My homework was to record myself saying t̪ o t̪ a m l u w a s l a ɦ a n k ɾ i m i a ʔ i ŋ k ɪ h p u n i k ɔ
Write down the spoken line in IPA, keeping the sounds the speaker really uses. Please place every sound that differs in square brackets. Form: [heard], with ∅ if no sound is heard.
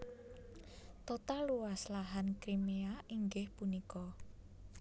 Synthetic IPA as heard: t̪ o t̪ a [∅] l u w a s l a ɦ a n k ɾ i m [e] a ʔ i ŋ [ɡ] ɪ h p u n i k ɔ